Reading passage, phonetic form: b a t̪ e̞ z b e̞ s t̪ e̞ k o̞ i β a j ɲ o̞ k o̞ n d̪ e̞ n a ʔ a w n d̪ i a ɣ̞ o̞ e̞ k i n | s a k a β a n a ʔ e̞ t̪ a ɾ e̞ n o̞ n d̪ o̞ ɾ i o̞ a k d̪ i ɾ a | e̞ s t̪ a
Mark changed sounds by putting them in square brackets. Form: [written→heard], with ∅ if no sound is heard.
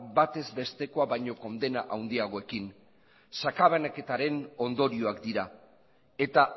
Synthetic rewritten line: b a t̪ e̞ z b e̞ s t̪ e̞ k o̞ [i→a] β a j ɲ o̞ k o̞ n d̪ e̞ n a ʔ a w n d̪ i a ɣ̞ o̞ e̞ k i n | s a k a β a n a [ʔ→k] e̞ t̪ a ɾ e̞ n o̞ n d̪ o̞ ɾ i o̞ a k d̪ i ɾ a | e̞ [s→∅] t̪ a